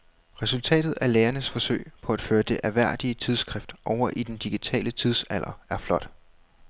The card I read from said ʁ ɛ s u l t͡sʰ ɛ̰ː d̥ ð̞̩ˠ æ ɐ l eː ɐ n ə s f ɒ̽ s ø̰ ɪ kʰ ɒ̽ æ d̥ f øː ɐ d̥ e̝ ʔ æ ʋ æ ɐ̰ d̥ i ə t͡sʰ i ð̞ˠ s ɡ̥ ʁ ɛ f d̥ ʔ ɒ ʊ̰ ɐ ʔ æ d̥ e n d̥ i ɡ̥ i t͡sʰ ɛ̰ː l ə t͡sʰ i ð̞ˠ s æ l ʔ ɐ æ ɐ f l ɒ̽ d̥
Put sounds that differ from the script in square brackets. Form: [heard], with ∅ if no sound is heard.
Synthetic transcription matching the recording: ʁ ɛ s u l t͡sʰ ɛ̰ː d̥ ð̞̩ˠ æ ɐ l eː ɐ n ə s f ɒ̽ s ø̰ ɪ [pʰ] ɒ̽ æ d̥ f øː ɐ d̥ e̝ ʔ æ ʋ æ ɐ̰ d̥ i ə t͡sʰ i ð̞ˠ s ɡ̥ ʁ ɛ f d̥ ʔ ɒ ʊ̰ ɐ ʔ [i] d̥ e n d̥ i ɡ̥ i t͡sʰ ɛ̰ː l ə t͡sʰ i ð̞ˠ s æ l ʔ ɐ æ ɐ f l ɒ̽ d̥